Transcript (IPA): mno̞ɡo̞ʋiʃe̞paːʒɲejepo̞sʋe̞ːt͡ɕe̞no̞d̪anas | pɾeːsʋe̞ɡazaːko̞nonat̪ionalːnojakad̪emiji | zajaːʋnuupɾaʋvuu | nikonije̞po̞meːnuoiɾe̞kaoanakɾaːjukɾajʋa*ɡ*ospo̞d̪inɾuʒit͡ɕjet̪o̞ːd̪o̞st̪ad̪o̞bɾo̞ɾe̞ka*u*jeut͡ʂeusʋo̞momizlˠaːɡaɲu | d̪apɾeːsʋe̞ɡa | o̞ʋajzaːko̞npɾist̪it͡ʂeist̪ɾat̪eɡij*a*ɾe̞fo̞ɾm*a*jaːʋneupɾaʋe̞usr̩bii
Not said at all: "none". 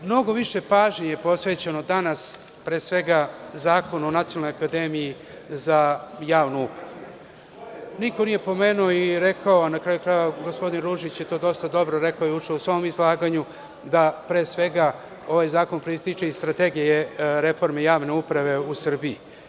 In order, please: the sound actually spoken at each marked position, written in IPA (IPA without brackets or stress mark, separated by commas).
ɡ, o, e, e